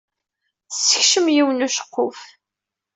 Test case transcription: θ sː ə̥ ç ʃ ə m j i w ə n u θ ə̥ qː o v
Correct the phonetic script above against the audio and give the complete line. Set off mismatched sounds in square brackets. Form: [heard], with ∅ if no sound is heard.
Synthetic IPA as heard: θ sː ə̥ ç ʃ ə m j i w ə n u [ʃ] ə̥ qː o [f]